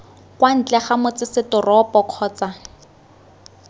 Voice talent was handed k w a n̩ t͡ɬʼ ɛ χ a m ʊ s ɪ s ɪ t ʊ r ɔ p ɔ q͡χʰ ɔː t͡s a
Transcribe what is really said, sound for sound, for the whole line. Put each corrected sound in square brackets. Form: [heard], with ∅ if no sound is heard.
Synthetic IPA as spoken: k w a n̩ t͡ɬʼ ɛ χ a m ʊ [t͡s] ɪ s ɪ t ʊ r ɔ p ɔ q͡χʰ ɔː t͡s a